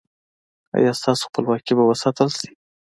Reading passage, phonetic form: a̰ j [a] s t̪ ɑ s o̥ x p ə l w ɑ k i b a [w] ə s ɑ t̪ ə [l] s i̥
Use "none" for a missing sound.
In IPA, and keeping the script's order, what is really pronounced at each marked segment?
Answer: ɑ, w, l

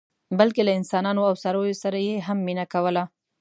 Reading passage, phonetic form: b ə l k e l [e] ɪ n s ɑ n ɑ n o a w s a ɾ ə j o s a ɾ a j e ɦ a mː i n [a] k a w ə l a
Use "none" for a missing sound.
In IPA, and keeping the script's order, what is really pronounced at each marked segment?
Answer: a, a

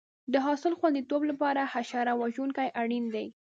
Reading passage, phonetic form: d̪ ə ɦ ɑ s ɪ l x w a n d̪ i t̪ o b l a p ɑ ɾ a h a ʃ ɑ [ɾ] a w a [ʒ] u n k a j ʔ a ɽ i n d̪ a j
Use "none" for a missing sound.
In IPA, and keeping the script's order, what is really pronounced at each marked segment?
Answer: ɾ, ʒ

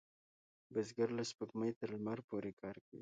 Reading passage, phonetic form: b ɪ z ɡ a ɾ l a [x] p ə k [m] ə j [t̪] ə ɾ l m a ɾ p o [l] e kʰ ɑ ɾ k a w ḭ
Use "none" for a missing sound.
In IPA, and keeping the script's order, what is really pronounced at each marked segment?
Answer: s, m, t̪, ɾ

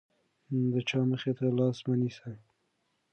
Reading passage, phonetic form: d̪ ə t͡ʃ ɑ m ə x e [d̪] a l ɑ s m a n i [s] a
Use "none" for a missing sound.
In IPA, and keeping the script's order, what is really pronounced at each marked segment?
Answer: t̪, s

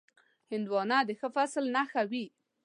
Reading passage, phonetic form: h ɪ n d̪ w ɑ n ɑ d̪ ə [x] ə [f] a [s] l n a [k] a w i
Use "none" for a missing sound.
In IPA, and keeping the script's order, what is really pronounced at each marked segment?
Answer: x, f, s, x

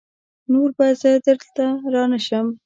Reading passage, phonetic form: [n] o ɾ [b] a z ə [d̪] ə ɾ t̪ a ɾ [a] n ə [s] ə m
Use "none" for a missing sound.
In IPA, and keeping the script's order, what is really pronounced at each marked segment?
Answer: n, b, d̪, ɑ, ʃ

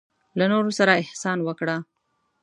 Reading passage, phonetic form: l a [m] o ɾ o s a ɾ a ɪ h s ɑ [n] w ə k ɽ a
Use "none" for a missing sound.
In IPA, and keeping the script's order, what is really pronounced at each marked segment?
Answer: n, n

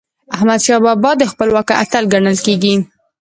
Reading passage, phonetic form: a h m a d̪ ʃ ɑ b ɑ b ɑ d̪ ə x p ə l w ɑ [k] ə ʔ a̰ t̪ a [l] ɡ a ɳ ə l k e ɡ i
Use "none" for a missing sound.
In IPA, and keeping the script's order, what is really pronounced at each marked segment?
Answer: k, l

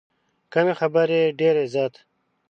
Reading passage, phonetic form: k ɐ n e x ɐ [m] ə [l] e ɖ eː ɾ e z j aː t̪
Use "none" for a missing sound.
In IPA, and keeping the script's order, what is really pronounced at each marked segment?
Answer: b, ɾ

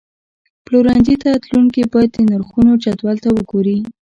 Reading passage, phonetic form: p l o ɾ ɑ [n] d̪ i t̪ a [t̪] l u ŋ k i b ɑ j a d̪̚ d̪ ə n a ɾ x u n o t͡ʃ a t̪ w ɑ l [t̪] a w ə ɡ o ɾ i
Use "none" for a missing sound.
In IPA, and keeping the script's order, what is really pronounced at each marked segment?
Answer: n, t̪, t̪

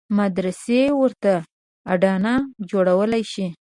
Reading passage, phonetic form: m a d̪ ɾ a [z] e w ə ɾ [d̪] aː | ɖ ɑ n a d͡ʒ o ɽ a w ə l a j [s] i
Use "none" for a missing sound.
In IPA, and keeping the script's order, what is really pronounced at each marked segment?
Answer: s, t̪, ʃ

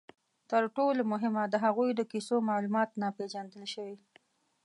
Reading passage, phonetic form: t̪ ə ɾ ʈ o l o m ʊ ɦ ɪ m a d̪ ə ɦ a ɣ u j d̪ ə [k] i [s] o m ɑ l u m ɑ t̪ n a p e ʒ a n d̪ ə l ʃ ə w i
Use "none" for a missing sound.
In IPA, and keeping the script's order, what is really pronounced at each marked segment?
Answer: k, s

